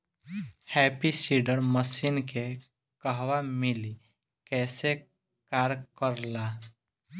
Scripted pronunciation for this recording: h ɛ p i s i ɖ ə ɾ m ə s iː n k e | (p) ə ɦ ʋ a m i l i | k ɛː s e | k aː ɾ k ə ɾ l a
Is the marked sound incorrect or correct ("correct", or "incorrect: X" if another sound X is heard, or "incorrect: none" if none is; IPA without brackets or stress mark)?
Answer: incorrect: k